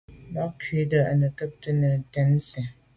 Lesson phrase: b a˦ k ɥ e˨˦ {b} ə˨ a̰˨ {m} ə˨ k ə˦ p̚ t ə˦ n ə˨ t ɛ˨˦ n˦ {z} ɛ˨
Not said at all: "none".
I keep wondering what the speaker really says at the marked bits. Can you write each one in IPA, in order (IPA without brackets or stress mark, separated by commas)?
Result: d, n, s